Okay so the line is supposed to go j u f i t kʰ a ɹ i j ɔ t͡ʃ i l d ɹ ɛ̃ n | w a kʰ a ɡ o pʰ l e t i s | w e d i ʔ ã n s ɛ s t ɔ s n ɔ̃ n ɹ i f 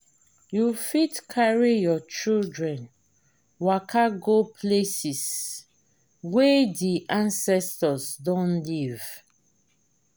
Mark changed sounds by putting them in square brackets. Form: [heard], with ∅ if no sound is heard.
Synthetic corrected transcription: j u f i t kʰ a ɹ i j ɔ t͡ʃ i l d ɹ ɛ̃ n | w a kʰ a ɡ o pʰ l e [s] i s | w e d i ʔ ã n s ɛ s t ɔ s [d] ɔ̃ n [l] i [v]